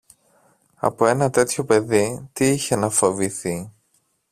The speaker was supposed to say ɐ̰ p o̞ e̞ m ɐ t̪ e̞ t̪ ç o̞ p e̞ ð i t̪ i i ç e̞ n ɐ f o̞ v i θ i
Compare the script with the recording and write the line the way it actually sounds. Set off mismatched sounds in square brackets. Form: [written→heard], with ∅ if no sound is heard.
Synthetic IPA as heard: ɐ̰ p o̞ e̞ [m→n] ɐ t̪ e̞ t̪ ç o̞ p e̞ ð i t̪ i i ç e̞ n ɐ f o̞ v i θ i